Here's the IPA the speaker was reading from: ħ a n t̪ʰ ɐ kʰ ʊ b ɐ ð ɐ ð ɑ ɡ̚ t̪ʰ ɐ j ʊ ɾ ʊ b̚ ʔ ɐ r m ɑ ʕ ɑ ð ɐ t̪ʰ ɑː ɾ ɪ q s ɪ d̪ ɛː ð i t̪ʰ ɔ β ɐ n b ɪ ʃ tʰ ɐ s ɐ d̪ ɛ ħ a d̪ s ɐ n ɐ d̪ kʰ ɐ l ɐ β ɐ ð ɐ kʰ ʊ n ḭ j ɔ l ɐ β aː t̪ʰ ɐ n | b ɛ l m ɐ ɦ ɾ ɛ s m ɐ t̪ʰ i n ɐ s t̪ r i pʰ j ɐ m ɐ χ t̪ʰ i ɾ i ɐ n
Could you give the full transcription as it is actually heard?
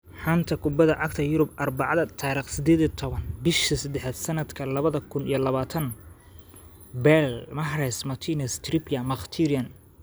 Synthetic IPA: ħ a n t̪ʰ ɐ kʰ ʊ b ɐ ð ɐ ʕ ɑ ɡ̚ t̪ʰ ɐ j ʊ ɾ ʊ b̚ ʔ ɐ r b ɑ ʕ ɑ ð ɐ t̪ʰ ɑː ɾ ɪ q s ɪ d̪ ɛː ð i t̪ʰ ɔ β ɐ n b ɪ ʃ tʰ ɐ s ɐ d̪ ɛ ħ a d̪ s ɐ n ɐ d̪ kʰ ɐ l ɐ β ɐ ð ɐ kʰ ʊ n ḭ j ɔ l ɐ β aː t̪ʰ ɐ n | b ɛ l m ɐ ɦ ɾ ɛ s m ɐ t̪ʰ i n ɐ s t̪ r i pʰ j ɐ m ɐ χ t̪ʰ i ɾ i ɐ n

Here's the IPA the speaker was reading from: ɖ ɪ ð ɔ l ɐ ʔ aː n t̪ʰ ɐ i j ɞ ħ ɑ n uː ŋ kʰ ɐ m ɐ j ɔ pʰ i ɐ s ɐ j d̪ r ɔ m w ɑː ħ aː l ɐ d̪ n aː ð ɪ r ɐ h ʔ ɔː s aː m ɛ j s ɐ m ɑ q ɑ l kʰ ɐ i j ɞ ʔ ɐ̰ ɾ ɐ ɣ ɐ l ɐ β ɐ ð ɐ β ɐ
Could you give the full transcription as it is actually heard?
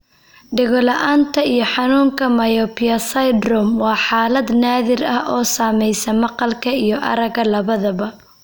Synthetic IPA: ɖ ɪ ɣ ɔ l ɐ ʔ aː n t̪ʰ ɐ i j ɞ ħ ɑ n uː ŋ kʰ ɐ m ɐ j ɔ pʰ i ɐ s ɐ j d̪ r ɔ m w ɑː ħ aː l ɐ d̪ n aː ð ɪ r ɐ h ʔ ɔː s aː m ɛ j s ɐ m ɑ q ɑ l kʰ ɐ i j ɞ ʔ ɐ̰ ɾ ɐ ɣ ɐ l ɐ β ɐ ð ɐ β ɐ

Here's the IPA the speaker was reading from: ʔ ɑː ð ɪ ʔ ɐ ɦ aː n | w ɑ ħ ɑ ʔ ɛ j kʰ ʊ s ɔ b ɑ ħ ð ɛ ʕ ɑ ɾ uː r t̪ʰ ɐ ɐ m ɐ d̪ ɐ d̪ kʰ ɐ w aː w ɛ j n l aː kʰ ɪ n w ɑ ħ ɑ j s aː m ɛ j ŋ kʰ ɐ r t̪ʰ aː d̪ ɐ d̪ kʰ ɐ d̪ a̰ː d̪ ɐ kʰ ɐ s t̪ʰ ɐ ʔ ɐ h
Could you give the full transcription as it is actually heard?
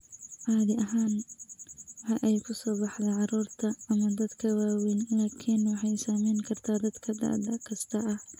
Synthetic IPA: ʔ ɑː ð ɪ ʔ ɐ ɦ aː n | w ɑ ħ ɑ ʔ ɛ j kʰ ʊ s ɔː b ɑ ħ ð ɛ ʕ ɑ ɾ uː r t̪ʰ ɐ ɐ m ɐ d̪ ɐ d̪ kʰ ɐ w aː w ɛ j n l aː kʰ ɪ n w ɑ ħ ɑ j s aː m ɛ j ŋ kʰ ɐ r t̪ʰ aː d̪ ɐ d̪ kʰ ɐ d̪ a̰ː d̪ ɐ kʰ ɐ s t̪ʰ ɐ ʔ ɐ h

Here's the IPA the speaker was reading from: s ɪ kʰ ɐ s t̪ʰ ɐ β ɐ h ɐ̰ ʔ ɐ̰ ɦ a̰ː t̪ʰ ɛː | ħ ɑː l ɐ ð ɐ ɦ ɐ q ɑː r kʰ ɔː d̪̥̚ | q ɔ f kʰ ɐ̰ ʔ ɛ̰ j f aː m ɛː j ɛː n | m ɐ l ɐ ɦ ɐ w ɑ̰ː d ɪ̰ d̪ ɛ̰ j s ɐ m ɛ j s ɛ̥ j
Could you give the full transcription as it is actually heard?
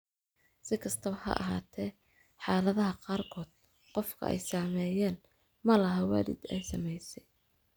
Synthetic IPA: s ɪ kʰ ɐ s t̪ʰ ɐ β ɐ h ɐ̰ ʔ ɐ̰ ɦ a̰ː t̪ʰ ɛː | ħ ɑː l ɐ ð ɐ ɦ ɐ q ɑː r kʰ ɔː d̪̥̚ | q ɔ f kʰ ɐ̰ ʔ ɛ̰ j s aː m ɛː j ɛː n | m ɐ l ɐ ɦ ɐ w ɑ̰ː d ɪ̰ d̪ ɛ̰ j s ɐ m ɛ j s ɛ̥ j

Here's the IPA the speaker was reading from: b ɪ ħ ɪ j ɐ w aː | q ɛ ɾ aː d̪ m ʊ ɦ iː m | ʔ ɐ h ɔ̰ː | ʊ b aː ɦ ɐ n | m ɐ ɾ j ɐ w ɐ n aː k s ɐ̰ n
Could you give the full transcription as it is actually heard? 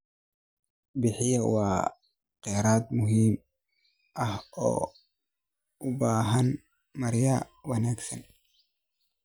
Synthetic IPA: b ɪ ħ ɪ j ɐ w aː | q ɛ ɾ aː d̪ m ʊ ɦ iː m | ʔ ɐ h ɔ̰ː | ʊ b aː ɦ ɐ n | m ɐ ɾ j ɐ w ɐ n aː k s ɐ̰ n

